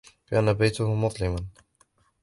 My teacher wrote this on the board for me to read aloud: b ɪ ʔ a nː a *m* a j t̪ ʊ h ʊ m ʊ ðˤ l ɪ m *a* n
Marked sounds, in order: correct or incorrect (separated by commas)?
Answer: incorrect, correct